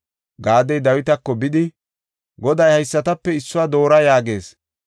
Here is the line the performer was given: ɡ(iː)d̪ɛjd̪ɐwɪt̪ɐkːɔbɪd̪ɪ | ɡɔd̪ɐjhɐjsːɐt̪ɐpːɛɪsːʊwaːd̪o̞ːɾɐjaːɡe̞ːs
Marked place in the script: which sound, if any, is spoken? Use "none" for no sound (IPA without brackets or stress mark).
aː